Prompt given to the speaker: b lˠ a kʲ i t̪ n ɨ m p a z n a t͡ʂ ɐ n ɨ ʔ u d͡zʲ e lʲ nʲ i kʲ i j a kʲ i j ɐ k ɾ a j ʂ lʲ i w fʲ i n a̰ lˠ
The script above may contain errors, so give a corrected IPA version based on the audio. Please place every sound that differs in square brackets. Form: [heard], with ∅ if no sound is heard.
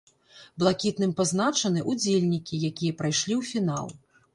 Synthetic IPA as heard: b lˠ a kʲ i t̪ n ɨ m p a z n a t͡ʂ ɐ n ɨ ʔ u d͡zʲ e lʲ nʲ i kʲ i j a kʲ i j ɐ [p] ɾ a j ʂ lʲ i w fʲ i n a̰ lˠ